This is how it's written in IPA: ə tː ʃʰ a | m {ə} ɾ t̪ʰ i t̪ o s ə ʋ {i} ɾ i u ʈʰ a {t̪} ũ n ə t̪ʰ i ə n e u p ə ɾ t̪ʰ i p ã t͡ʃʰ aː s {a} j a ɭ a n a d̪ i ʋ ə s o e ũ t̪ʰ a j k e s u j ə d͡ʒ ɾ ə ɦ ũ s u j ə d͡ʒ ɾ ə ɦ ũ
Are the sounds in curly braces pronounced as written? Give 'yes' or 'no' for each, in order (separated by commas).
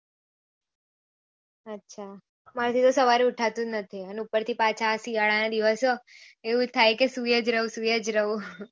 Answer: no, no, yes, no